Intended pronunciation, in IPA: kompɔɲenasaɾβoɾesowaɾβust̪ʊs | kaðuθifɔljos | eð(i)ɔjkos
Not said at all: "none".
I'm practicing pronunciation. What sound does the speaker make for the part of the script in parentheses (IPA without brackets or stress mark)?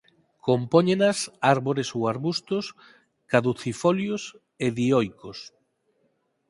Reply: i